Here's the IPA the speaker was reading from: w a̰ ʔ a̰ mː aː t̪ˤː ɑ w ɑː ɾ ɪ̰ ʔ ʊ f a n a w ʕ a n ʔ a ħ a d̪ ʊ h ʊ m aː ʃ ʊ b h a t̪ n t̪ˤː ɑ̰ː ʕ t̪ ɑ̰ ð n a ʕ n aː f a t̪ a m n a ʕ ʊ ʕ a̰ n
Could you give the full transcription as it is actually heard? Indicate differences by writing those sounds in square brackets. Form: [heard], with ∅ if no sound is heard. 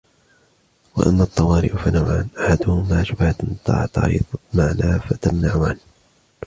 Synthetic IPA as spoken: w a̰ ʔ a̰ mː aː t̪ˤː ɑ w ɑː ɾ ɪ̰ ʔ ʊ f a n a w ʕ a n ʔ a ħ a d̪ ʊ h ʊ m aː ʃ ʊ b h a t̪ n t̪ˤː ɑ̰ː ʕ t̪ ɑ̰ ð [m] a ʕ n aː f a t̪ a m n a ʕ ʊ ʕ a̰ n